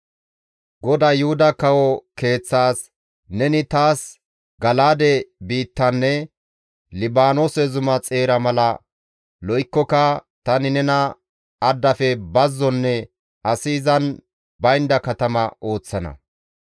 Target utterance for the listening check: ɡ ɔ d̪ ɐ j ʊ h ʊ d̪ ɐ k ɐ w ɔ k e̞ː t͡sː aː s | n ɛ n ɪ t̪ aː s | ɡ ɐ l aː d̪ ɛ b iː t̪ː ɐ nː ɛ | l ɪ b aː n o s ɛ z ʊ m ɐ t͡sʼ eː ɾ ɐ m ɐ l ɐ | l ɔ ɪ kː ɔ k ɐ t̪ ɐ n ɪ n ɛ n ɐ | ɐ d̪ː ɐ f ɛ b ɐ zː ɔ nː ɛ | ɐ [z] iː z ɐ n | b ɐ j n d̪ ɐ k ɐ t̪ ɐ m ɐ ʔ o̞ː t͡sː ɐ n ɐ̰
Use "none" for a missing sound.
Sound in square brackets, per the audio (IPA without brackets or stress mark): s